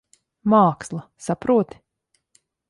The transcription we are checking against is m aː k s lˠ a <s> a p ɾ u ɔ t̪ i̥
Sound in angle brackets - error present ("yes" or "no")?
no